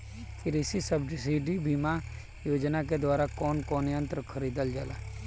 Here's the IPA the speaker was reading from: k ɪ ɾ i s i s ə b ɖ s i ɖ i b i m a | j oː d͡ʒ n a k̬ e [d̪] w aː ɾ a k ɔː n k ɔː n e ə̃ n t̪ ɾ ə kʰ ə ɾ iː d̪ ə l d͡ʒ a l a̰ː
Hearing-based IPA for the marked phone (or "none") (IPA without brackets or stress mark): d̪